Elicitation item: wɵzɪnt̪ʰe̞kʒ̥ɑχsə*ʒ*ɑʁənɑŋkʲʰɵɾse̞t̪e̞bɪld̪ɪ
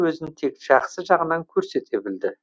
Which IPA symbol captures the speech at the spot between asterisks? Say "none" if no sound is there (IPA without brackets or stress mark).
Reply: ʒ